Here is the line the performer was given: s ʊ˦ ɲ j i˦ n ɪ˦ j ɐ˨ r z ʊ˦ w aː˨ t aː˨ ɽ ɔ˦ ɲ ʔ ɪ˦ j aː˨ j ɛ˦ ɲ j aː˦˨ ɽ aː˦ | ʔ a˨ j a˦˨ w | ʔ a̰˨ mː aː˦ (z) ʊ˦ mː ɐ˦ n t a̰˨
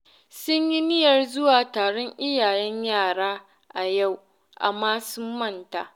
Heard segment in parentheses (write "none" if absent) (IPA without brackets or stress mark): s